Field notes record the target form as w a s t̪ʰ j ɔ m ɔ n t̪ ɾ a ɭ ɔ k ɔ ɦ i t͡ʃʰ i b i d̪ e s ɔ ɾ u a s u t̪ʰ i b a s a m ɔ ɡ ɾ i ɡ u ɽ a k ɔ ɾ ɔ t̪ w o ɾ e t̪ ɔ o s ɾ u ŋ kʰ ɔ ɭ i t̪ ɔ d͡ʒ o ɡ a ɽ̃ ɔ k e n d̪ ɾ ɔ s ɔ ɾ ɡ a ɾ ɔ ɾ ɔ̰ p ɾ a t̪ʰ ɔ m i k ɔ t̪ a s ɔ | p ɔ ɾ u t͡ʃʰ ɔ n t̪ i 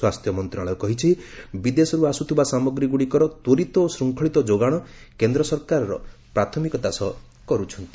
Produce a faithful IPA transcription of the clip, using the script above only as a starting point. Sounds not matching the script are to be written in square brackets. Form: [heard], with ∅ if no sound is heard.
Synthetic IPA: w a s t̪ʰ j ɔ m ɔ n t̪ ɾ a ɭ ɔ k ɔ ɦ i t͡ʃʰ i b i d̪ e s ɔ ɾ u a s u t̪ʰ i b a s a m ɔ ɡ ɾ i ɡ u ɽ [i] k ɔ ɾ ɔ t̪ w o ɾ [i] t̪ ɔ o s ɾ u ŋ kʰ ɔ ɭ i t̪ ɔ d͡ʒ o ɡ a ɽ̃ ɔ k e n d̪ ɾ ɔ s ɔ ɾ [k] a ɾ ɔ ɾ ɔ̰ p ɾ a t̪ʰ ɔ m i k ɔ t̪ a s ɔ | [k] ɔ ɾ u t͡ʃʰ ɔ n t̪ i